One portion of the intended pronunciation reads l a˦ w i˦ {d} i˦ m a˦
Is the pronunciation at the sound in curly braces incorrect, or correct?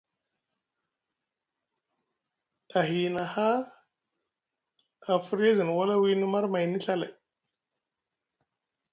incorrect